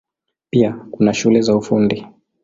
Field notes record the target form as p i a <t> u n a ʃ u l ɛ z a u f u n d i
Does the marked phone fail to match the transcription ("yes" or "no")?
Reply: yes